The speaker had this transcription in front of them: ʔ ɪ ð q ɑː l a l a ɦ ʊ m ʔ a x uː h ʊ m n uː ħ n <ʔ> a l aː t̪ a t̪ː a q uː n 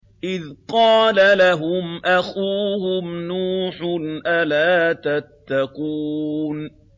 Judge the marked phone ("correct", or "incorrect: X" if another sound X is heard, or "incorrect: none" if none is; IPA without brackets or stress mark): correct